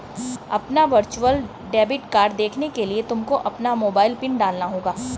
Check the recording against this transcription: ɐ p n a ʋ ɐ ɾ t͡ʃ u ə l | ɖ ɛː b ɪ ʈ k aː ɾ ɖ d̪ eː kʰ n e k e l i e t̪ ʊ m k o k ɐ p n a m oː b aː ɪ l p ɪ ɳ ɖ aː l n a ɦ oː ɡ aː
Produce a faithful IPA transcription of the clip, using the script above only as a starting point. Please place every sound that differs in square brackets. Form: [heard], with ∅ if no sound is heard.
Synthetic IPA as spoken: ɐ p n a ʋ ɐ ɾ t͡ʃ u ə l | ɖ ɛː b ɪ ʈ k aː ɾ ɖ d̪ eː kʰ n e k e l i e t̪ ʊ m k o [ʔ] ɐ p n a m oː b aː ɪ l p ɪ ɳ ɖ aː l n a ɦ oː ɡ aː